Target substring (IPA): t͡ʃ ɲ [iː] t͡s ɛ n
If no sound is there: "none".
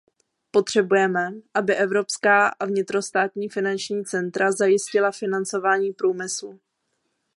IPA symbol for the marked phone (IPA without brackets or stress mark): iː